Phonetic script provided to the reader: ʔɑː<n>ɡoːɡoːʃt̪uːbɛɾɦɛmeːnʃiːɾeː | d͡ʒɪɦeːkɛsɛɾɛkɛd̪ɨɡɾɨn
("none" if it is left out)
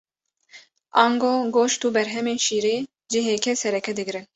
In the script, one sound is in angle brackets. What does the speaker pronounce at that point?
ŋ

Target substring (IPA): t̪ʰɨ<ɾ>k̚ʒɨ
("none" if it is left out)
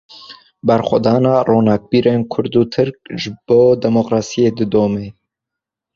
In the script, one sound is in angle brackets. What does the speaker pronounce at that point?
ɾ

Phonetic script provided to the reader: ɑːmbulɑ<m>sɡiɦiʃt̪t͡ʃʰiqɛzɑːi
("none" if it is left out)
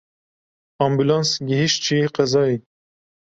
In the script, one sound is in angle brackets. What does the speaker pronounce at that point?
n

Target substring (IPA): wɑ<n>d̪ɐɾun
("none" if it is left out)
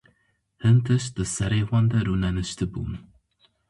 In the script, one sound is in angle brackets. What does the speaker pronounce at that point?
n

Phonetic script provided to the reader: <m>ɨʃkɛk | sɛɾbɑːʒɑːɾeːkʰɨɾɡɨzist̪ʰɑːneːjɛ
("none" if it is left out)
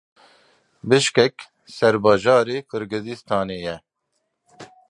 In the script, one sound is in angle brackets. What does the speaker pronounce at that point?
b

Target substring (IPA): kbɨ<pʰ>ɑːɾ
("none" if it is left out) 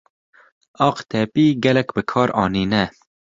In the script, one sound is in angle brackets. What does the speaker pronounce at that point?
kʰ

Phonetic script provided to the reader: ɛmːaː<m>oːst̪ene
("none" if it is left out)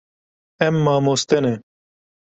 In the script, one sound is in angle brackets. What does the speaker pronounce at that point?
m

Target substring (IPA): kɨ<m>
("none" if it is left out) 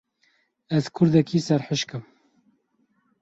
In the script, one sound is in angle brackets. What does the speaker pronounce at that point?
m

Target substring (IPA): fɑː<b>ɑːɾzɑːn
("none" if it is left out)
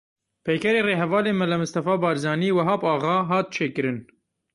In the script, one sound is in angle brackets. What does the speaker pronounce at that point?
b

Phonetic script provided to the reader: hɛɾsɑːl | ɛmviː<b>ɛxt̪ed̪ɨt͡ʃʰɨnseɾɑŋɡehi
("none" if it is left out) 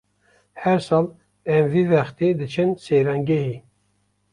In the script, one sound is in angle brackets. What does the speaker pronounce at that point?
v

